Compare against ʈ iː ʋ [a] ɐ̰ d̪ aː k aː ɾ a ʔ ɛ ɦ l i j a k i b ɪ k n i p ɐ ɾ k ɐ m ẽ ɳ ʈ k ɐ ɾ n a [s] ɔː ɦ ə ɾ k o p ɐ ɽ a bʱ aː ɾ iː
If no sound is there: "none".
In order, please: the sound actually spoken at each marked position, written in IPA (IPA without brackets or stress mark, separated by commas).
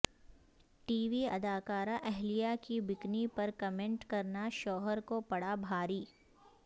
i, ʃ